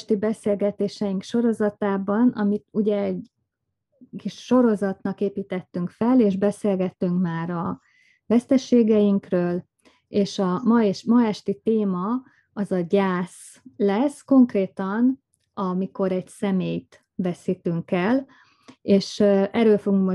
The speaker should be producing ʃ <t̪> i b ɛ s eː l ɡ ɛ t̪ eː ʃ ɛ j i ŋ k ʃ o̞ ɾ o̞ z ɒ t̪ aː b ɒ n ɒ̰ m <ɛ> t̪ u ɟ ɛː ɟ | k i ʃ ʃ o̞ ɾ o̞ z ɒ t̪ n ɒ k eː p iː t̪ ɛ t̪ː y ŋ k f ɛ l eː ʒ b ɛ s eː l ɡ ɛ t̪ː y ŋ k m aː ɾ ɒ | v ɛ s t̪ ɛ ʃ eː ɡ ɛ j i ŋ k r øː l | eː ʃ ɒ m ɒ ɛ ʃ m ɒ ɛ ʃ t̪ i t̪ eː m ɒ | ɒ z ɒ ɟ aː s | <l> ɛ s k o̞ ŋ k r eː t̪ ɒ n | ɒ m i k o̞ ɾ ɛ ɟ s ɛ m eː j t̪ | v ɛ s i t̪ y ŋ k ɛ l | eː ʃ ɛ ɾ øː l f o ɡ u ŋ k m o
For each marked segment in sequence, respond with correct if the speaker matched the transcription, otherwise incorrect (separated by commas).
correct, incorrect, correct